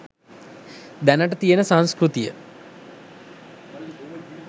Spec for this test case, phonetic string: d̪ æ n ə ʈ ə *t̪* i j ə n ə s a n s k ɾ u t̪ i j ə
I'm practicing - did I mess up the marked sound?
no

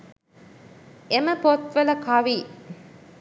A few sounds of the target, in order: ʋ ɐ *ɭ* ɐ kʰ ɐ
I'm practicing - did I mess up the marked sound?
yes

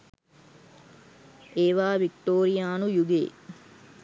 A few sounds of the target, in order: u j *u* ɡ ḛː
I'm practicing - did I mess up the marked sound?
no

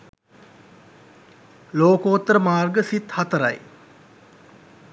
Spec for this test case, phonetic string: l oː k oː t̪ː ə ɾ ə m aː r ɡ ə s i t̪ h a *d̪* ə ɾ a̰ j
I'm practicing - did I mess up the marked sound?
yes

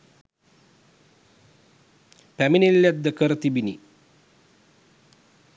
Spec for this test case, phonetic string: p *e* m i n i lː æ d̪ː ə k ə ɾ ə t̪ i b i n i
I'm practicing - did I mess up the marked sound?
yes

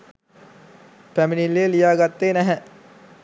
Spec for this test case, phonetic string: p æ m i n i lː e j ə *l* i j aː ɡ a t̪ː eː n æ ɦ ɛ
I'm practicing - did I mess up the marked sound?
no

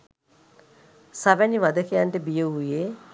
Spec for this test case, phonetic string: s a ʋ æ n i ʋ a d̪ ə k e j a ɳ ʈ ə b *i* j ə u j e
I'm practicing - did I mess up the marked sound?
no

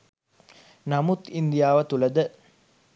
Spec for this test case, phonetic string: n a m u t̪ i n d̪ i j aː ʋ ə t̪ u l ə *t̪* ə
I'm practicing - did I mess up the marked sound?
yes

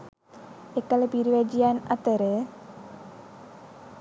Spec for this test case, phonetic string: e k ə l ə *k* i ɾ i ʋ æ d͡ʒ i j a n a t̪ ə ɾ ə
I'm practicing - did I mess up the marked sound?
yes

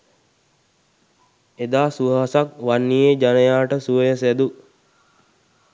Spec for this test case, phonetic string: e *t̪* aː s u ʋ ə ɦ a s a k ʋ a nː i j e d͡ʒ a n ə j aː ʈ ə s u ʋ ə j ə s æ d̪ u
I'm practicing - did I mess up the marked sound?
yes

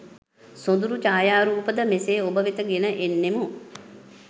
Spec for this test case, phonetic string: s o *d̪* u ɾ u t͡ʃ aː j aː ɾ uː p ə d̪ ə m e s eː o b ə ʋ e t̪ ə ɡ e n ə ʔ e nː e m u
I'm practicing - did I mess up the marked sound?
no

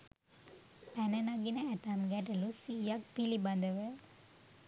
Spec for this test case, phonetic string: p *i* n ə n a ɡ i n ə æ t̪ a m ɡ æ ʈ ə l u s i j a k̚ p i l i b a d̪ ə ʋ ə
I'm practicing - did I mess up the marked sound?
yes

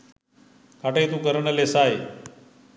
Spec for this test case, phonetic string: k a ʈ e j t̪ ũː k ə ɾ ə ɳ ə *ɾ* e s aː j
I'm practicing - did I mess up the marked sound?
yes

